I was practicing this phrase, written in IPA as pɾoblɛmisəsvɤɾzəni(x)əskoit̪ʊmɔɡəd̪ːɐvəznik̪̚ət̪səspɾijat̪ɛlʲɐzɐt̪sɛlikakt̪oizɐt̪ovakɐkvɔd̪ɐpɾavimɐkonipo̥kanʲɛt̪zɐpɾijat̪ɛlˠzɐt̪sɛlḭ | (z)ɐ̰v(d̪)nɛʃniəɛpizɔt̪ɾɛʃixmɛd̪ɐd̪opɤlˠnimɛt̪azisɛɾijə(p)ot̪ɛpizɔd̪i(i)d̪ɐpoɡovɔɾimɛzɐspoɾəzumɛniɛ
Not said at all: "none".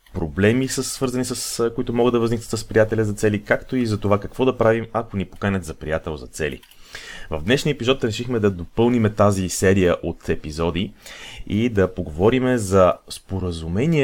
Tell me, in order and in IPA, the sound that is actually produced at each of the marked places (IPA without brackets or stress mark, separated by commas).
s, v, d̪, ʔ, i